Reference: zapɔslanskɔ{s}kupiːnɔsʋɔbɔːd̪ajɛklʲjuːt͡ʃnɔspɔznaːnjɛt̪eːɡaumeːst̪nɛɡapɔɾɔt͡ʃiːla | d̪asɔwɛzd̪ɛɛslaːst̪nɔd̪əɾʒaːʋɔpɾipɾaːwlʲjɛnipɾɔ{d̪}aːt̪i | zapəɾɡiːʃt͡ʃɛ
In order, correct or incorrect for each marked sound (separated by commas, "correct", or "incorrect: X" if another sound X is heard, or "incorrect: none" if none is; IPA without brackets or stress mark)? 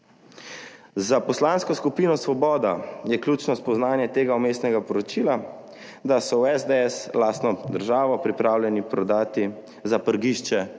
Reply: correct, correct